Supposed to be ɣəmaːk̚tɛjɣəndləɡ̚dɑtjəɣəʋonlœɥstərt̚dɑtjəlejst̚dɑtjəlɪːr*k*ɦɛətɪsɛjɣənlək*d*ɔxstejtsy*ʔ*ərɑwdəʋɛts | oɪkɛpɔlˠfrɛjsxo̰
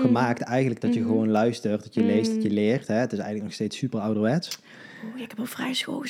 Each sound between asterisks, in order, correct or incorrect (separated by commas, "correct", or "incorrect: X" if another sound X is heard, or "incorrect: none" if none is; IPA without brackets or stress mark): incorrect: t, incorrect: n, incorrect: p